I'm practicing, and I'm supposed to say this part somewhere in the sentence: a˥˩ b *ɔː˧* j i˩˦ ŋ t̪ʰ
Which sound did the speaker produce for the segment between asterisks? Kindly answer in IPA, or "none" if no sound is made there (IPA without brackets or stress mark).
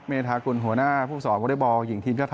ɔː˧